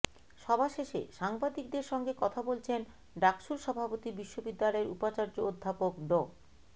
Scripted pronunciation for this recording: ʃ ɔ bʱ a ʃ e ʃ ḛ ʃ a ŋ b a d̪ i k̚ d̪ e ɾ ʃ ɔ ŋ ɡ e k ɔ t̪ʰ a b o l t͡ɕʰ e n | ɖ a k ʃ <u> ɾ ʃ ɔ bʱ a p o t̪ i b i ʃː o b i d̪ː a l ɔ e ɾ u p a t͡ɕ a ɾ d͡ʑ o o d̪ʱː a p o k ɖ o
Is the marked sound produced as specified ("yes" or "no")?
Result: yes